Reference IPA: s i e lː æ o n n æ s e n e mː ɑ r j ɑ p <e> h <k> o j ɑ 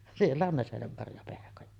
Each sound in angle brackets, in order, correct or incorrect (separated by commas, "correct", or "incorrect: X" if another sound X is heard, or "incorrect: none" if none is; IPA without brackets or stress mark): correct, correct